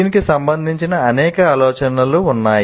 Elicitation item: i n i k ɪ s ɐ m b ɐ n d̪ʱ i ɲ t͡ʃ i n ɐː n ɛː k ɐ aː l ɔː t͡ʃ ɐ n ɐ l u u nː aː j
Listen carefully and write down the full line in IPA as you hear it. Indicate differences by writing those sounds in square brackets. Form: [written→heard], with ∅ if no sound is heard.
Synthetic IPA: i n i k [ɪ→i] s ɐ m b ɐ n d̪ʱ i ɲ t͡ʃ i n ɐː n ɛː k ɐ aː l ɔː t͡ʃ ɐ n ɐ l u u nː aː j